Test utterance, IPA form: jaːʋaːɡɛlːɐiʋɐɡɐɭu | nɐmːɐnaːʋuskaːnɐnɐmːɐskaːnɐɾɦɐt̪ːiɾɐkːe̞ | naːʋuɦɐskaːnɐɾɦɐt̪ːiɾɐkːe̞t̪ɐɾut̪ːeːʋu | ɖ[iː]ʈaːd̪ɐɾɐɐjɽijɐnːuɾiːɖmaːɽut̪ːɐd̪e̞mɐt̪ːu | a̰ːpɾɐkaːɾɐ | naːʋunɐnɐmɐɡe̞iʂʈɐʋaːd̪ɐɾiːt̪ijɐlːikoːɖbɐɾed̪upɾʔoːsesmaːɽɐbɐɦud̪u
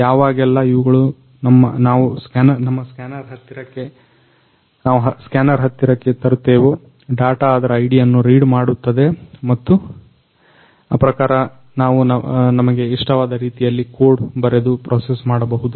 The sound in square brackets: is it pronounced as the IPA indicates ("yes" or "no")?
no